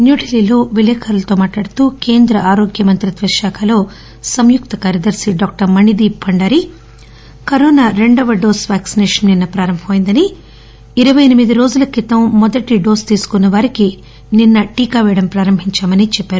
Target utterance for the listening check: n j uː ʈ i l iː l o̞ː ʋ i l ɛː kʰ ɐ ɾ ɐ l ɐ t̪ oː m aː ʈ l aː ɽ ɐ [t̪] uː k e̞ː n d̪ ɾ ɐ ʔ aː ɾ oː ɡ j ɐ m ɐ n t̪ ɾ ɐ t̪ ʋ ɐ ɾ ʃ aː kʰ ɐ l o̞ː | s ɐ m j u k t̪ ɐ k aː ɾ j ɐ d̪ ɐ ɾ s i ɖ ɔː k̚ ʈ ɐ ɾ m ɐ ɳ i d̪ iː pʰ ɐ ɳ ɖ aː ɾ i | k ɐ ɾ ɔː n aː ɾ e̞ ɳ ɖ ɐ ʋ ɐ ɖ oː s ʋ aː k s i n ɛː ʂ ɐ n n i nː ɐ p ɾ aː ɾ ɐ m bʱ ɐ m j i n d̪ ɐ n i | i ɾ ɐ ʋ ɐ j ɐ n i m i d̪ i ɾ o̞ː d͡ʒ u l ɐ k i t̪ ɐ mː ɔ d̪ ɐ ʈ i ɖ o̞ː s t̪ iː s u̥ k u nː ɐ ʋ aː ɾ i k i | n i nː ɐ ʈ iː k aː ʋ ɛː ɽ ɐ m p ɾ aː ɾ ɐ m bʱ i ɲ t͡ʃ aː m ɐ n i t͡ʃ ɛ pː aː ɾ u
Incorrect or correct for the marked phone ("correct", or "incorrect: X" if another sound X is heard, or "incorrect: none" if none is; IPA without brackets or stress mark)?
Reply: correct